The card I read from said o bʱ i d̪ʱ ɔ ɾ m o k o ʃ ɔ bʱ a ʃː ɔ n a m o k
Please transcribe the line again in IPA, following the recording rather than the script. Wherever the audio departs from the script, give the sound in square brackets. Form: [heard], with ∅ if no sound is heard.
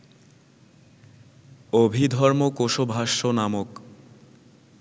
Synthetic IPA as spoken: o bʱ i d̪ʱ ɔ ɾ m o k o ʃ [o] bʱ a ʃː [o] n a m o k

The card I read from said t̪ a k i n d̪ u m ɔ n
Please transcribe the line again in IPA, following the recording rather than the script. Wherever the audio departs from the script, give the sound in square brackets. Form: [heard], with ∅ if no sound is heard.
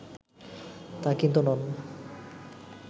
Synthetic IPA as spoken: t̪ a k i n [t̪] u [n] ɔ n

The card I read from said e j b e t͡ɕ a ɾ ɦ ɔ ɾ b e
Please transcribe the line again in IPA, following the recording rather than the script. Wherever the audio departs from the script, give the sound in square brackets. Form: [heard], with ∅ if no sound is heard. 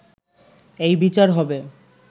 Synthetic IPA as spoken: e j b [i] t͡ɕ a ɾ ɦ ɔ [∅] b e

